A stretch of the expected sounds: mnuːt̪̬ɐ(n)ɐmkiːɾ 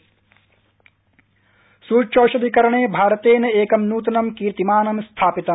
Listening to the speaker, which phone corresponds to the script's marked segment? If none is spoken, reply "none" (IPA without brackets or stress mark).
n